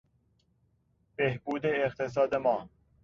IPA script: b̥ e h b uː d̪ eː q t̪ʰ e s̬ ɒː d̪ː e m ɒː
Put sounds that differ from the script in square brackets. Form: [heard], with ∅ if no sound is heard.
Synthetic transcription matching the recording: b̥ e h b uː d̪ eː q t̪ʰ e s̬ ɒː [d̪] e m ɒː